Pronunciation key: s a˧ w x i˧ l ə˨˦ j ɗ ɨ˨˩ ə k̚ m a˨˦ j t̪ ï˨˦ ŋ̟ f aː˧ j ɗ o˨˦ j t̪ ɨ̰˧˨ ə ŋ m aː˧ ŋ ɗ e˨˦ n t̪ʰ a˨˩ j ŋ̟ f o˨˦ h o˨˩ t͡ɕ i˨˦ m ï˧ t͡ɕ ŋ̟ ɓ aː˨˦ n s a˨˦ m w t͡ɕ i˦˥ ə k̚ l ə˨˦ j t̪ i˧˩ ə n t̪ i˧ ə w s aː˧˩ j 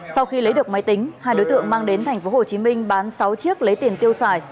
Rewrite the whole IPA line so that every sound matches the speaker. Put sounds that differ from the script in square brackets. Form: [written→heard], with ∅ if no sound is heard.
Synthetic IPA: s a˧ w x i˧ l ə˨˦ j ɗ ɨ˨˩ ə k̚ m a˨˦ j t̪ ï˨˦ ŋ̟ [f→h] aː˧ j ɗ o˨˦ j t̪ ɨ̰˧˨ ə ŋ m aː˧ ŋ ɗ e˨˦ n t̪ʰ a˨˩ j ŋ̟ f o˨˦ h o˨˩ t͡ɕ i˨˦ m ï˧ [t͡ɕ→∅] ŋ̟ ɓ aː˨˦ n s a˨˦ [m→∅] w t͡ɕ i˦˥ ə k̚ l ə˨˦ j t̪ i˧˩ ə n t̪ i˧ ə w s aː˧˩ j